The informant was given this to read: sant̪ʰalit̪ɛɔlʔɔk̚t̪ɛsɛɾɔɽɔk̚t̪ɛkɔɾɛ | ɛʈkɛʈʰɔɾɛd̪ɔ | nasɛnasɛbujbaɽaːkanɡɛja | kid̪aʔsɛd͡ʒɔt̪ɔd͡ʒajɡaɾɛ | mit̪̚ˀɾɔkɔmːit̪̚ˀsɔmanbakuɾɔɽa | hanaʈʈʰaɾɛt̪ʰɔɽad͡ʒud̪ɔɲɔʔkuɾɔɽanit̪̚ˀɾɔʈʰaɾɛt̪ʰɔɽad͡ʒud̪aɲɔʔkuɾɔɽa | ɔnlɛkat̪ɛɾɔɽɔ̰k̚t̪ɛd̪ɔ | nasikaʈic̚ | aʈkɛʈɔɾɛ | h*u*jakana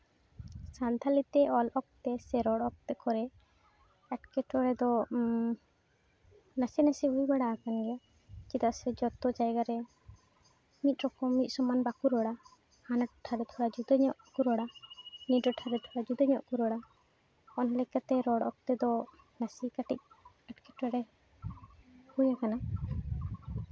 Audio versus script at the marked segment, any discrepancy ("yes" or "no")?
no